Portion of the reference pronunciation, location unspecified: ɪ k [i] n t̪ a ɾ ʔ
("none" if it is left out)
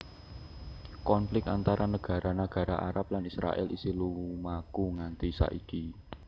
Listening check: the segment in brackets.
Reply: a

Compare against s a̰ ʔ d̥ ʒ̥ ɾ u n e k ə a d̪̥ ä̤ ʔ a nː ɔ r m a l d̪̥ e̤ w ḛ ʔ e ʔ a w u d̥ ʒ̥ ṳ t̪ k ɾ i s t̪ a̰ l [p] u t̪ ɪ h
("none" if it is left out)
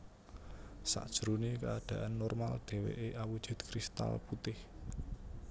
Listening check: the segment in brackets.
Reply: p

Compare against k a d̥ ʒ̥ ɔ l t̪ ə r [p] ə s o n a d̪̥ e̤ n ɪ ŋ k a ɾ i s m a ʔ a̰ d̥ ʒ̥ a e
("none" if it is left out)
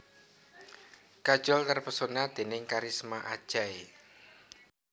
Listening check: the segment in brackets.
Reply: p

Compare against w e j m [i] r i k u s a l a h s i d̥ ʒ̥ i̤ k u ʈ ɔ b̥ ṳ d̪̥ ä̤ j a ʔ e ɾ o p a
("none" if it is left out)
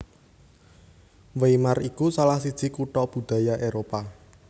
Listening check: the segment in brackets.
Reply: a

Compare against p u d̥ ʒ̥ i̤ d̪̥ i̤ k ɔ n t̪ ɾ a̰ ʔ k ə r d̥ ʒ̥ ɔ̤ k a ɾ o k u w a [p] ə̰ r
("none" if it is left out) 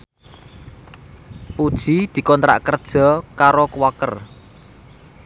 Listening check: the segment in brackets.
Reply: k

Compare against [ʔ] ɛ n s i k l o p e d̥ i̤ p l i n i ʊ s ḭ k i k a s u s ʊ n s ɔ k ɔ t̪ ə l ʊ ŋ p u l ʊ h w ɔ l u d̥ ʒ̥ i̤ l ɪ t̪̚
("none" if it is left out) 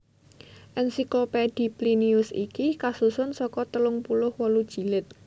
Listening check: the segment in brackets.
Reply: ʔ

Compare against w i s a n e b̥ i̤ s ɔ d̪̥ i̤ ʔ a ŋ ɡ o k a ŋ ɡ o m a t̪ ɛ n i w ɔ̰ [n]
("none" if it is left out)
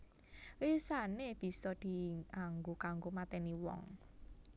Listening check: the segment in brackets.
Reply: ŋ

